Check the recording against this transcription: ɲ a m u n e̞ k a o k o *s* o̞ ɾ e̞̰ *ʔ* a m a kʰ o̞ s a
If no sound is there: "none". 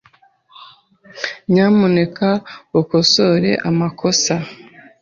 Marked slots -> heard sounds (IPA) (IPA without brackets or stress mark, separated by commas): s, ʔ